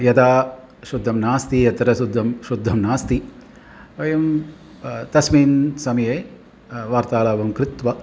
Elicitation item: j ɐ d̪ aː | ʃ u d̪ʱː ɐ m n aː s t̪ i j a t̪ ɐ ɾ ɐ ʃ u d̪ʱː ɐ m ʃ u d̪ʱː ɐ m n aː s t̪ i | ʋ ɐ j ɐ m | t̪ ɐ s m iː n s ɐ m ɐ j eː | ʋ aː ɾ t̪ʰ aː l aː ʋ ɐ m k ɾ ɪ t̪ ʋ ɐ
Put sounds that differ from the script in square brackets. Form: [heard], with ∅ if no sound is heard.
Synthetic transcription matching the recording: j ɐ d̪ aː | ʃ u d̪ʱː ɐ m n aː s t̪ i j [ɐ] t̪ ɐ ɾ ɐ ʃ u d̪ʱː ɐ m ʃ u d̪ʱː ɐ m n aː s t̪ i | ʋ ɐ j ɐ m | t̪ ɐ s m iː n s ɐ m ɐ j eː | ʋ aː ɾ [t̪] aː l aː ʋ ɐ m k ɾ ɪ t̪ ʋ ɐ